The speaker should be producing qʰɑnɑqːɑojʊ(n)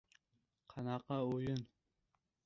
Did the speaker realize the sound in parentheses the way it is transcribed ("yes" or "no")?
yes